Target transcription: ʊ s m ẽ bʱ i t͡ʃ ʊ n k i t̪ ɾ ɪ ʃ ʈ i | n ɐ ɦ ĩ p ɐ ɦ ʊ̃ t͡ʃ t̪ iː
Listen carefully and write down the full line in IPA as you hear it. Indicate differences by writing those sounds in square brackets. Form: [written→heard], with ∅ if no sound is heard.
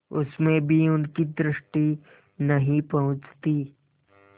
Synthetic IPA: ʊ s m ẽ bʱ i [t͡ʃ→∅] ʊ n k i [t̪→d̪] ɾ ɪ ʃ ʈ i | n ɐ ɦ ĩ p ɐ ɦ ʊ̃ t͡ʃ t̪ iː